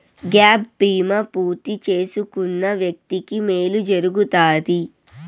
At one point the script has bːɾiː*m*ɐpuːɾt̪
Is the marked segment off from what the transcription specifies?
no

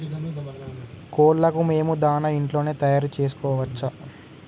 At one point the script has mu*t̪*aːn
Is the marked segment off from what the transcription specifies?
yes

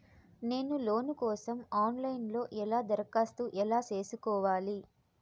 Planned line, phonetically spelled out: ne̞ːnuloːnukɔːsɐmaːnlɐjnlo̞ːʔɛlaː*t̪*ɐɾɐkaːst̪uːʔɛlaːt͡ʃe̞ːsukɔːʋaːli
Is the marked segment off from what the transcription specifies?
yes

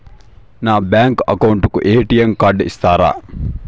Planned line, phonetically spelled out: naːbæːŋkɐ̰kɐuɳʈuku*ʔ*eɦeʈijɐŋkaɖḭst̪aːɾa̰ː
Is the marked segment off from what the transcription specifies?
no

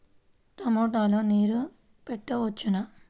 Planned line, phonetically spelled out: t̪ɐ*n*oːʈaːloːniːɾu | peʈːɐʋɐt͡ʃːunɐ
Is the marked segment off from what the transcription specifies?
yes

